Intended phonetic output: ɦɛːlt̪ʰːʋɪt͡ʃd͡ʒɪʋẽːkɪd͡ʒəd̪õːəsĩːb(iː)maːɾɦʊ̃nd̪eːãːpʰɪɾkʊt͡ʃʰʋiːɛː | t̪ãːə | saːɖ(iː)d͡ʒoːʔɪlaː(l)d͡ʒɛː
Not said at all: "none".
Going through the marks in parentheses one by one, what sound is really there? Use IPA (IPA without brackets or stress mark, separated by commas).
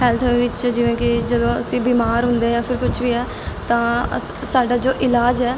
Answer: iː, aː, none